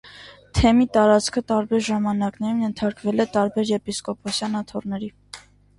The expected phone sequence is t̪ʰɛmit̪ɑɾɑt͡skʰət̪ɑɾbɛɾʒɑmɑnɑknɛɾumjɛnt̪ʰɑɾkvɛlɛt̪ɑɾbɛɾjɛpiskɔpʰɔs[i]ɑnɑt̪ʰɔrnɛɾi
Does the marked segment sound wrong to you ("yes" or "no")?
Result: yes